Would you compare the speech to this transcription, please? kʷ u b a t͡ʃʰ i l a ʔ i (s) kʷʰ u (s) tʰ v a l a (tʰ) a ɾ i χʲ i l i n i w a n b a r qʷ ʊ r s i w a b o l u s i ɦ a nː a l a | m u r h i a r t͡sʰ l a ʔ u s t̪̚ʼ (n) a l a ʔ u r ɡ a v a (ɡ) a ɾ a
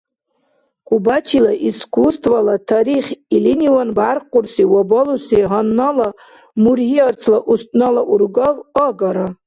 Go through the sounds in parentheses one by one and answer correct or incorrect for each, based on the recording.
correct, correct, correct, correct, correct

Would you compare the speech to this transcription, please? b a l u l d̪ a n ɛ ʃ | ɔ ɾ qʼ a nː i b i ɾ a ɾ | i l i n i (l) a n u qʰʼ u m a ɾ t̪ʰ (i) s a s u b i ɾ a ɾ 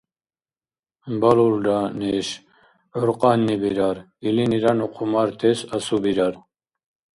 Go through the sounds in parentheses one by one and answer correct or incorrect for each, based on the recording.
incorrect: ɾ, incorrect: ɛ

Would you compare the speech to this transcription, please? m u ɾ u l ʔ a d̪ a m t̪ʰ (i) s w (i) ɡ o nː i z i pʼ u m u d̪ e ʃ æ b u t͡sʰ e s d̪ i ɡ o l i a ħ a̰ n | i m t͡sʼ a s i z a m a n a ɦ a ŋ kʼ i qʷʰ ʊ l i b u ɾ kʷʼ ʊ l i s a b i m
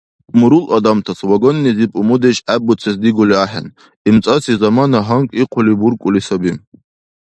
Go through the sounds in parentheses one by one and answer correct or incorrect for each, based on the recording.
incorrect: a, incorrect: a

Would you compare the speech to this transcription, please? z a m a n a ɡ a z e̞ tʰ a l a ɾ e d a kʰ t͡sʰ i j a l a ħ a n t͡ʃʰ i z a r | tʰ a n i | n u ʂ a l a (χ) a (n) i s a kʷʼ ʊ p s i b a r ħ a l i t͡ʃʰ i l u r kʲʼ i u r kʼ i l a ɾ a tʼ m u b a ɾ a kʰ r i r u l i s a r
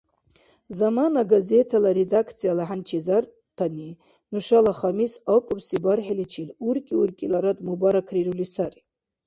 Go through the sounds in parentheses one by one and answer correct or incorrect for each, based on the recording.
correct, incorrect: m

